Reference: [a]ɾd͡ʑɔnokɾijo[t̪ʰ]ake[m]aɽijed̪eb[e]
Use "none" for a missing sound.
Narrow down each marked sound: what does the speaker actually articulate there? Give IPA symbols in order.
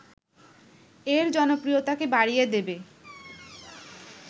e, t̪, b, e

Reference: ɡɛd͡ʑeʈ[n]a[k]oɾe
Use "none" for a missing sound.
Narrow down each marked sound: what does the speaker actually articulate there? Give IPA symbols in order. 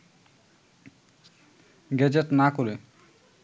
n, k

